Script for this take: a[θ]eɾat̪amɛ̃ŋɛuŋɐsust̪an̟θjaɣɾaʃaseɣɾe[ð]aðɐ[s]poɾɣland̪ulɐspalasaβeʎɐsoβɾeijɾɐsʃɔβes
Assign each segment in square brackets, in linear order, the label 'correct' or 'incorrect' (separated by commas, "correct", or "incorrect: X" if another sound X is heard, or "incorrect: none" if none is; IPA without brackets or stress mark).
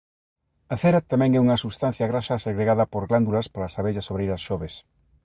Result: correct, incorrect: ɣ, incorrect: none